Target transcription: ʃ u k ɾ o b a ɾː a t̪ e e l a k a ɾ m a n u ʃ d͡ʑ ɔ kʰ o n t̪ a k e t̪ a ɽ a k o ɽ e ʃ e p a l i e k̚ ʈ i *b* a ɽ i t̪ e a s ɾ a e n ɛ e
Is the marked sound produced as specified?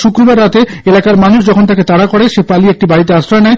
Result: yes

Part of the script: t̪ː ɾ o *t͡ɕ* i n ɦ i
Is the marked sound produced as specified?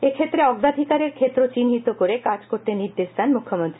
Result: yes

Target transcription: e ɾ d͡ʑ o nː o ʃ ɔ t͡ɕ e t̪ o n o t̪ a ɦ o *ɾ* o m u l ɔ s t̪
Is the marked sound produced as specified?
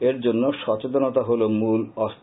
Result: no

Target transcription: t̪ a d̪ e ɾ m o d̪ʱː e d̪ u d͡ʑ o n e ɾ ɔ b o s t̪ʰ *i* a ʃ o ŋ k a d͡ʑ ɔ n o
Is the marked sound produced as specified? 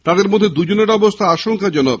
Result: no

